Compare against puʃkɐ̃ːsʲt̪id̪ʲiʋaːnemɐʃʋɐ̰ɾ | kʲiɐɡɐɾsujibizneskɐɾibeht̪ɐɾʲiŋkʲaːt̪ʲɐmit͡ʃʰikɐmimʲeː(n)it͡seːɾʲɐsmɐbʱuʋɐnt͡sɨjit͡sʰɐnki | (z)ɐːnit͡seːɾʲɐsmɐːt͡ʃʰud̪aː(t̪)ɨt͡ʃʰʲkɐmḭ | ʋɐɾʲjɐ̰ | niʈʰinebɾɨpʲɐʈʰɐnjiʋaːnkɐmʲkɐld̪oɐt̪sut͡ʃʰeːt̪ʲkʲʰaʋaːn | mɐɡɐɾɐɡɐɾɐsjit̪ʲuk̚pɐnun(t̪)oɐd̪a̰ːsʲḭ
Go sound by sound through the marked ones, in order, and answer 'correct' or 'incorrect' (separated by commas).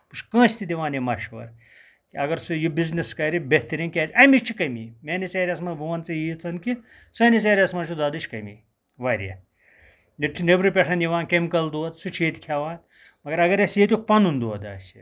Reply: correct, incorrect, incorrect, incorrect